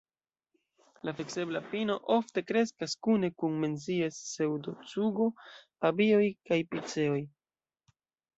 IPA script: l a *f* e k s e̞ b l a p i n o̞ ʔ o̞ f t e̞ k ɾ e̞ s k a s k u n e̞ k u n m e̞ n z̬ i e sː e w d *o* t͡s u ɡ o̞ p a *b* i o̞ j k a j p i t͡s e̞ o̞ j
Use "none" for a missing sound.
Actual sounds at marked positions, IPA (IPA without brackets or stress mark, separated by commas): f, o, b